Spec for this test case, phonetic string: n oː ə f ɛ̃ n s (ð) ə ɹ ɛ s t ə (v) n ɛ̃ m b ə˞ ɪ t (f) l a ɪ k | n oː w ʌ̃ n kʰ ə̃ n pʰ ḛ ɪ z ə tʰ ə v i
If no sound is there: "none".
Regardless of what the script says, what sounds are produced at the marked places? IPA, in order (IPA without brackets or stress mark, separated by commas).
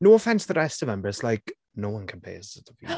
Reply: ð, v, s